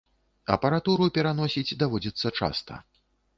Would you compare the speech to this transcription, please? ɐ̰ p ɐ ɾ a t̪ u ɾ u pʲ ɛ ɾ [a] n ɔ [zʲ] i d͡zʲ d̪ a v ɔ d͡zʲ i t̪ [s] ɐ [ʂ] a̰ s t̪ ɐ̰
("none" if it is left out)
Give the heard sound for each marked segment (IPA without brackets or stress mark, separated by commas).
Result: a, sʲ, sː, t͡ʂ